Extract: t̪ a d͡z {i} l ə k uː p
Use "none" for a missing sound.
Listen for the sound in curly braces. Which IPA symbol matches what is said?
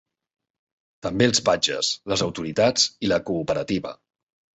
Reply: i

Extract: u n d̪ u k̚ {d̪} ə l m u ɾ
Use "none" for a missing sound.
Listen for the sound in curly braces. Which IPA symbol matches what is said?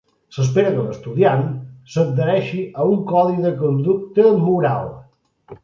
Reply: t̪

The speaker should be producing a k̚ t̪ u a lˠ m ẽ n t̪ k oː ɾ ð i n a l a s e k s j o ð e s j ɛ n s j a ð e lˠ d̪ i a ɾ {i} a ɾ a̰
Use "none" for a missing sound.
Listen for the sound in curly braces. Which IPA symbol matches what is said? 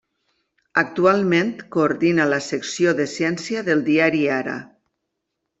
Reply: i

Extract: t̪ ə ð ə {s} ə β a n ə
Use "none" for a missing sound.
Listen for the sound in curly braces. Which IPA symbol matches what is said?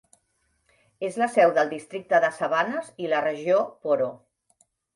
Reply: s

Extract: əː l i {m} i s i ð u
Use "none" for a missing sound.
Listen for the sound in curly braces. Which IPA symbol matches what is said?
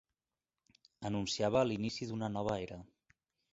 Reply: n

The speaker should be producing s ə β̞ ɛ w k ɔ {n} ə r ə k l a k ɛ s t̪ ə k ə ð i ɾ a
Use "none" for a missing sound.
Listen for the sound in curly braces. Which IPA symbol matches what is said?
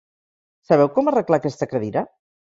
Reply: m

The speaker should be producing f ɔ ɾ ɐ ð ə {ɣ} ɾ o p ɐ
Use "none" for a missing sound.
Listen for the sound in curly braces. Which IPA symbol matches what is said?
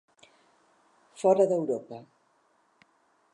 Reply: w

